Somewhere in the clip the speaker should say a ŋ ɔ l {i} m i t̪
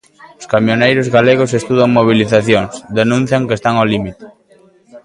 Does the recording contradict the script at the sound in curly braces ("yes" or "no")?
no